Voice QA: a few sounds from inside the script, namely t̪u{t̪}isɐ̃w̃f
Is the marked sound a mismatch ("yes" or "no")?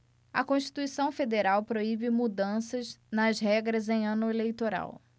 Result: yes